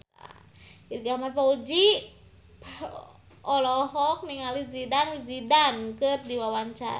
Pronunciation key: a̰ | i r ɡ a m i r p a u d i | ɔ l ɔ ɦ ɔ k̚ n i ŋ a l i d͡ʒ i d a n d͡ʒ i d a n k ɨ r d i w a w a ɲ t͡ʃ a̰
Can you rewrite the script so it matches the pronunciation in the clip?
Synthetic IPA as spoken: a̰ | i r ɡ a m a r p a u d͡ʒ i | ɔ l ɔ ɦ ɔ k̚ n i ŋ a l i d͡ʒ i d a n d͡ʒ i d a n k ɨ r d i w a w a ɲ t͡ʃ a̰